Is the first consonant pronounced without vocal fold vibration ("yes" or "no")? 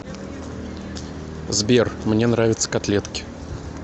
no